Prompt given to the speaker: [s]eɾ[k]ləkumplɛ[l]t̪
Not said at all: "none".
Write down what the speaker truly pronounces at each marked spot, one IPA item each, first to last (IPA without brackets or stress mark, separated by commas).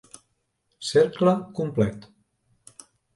s, k, none